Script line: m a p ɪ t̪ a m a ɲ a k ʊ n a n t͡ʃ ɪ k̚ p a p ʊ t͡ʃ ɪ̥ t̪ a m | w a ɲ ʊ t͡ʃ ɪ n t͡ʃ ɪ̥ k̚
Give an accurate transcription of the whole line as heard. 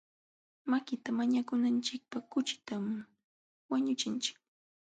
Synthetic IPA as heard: m a k ɪ t̪ a m a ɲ a k ʊ n a n t͡ʃ ɪ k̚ p a k ʊ t͡ʃ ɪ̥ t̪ a m | w a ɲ ʊ t͡ʃ ɪ n t͡ʃ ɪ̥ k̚